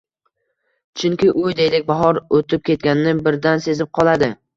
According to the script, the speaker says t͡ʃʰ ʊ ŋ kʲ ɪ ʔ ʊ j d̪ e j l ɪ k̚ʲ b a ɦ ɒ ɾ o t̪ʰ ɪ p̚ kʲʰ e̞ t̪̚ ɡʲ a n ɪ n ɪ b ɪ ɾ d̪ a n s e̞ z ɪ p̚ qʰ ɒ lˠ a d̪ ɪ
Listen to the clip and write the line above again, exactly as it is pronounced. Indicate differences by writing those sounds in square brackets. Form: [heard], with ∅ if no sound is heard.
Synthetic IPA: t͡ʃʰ ʊ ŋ kʲ ɪ ʔ ʊ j d̪ e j l ɪ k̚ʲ b a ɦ ɒ ɾ o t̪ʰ ɪ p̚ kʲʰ e̞ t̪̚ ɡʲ a n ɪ n ɪ b ɪ ɾ d̪ a n s e̞ z ɪ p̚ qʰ ɒ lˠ a d̪ ɪ